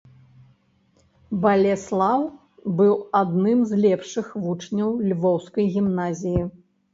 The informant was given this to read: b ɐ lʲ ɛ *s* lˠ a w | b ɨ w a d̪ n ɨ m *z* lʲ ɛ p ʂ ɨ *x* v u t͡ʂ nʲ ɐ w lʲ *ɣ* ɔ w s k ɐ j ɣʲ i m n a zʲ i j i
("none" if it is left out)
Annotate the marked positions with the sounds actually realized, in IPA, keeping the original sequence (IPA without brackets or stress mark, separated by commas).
s, z, x, v